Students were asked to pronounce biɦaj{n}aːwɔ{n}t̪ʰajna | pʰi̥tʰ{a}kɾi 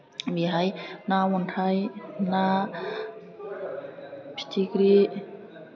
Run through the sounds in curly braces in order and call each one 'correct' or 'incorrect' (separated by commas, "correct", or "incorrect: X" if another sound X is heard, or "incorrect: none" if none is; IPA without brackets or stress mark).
correct, correct, incorrect: i